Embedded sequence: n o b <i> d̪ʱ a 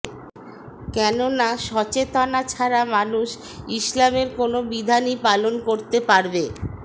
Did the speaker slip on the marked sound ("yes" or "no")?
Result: no